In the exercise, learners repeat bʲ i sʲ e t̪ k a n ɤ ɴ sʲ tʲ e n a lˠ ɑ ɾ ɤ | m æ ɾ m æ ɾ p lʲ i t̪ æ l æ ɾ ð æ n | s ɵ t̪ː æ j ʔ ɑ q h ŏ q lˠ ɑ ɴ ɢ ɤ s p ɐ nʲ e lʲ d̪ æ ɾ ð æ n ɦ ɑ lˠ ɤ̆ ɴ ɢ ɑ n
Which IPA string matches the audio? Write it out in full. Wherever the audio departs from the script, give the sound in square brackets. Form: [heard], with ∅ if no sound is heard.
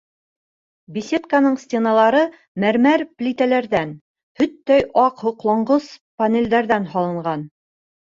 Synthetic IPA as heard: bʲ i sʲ e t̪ k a n ɤ ɴ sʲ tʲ e n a lˠ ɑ ɾ ɤ | m æ ɾ m æ ɾ p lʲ i t̪ æ l æ ɾ ð æ n | [h] ɵ t̪ː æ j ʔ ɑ q h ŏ q lˠ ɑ ɴ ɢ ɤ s p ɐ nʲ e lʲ d̪ æ ɾ ð æ n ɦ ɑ lˠ ɤ̆ ɴ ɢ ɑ n